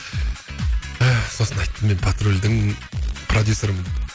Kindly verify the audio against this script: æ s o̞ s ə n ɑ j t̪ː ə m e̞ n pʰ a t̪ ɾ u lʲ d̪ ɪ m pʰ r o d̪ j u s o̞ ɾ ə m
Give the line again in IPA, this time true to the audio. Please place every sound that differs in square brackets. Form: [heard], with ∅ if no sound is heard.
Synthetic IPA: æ s o̞ s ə n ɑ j t̪ː ə m e̞ n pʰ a t̪ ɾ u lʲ d̪ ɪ [ŋ] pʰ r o d̪ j u s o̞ ɾ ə m